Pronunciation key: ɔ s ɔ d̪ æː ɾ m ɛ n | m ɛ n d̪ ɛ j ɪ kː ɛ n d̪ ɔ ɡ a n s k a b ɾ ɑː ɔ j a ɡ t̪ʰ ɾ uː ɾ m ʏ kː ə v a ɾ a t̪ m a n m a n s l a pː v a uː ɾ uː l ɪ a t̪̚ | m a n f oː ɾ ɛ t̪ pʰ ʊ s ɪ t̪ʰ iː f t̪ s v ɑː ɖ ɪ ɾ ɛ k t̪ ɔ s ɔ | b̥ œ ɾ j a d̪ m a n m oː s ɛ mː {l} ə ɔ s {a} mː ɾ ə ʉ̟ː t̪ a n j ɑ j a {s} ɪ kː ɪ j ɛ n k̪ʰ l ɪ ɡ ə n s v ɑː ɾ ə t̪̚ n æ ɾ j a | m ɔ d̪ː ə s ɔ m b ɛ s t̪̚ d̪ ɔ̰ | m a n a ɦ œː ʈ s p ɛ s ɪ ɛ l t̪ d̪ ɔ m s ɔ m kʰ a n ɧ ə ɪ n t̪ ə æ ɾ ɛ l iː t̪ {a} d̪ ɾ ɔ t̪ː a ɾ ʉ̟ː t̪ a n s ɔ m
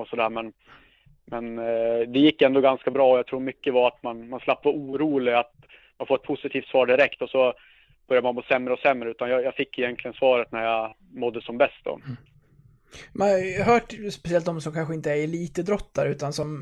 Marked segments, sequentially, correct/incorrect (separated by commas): incorrect, incorrect, incorrect, incorrect